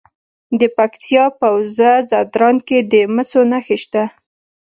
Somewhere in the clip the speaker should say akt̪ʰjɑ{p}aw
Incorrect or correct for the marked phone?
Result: correct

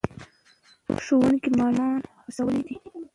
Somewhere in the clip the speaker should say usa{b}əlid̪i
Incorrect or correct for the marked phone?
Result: incorrect: w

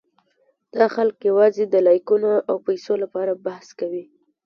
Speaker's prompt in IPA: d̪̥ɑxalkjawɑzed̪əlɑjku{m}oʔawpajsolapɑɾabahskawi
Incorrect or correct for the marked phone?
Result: incorrect: n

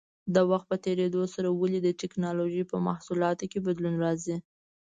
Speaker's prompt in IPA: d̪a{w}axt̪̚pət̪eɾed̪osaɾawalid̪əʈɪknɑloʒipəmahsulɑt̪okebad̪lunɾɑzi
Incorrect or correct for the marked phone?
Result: correct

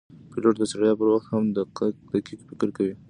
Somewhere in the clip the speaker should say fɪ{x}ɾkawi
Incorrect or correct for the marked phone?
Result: incorrect: k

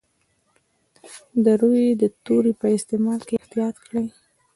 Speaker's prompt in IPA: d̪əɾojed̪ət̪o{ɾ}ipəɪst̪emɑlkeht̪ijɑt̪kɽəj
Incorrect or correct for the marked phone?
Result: correct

